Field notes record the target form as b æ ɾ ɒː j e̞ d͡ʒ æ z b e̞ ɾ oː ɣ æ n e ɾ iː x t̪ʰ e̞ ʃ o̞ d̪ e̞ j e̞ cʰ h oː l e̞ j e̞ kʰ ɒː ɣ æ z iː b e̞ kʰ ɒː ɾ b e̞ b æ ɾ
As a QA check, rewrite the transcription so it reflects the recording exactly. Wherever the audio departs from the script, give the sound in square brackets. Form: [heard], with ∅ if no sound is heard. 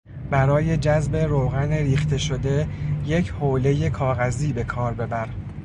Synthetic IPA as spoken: b æ ɾ ɒː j e̞ d͡ʒ æ z b e̞ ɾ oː ɣ æ n e ɾ iː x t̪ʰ e̞ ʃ o̞ d̪ e̞ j e̞ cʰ h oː l e̞ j e̞ kʰ ɒː ɣ æ z iː b e̞ kʰ ɒː ɾ b e̞ b æ ɾ